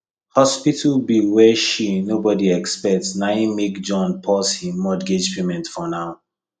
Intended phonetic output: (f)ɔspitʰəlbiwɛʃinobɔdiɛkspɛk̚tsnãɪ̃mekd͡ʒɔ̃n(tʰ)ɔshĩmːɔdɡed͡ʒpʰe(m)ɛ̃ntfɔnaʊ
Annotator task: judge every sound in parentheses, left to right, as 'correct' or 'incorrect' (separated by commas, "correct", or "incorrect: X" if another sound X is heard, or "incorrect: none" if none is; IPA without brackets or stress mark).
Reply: incorrect: h, incorrect: pʰ, correct